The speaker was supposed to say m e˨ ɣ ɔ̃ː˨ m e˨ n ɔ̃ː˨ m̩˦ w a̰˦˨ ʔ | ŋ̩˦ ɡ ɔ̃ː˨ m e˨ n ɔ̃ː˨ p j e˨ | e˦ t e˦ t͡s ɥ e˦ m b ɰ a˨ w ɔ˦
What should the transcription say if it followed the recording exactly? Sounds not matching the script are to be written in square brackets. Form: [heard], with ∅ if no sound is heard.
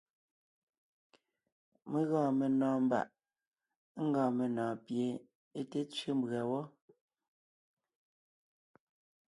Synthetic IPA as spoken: m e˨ ɣ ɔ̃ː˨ m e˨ n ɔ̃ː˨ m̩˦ [b] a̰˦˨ ʔ | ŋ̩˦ ɡ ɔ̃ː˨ m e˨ n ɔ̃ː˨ p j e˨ | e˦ t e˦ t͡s ɥ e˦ m b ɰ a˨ w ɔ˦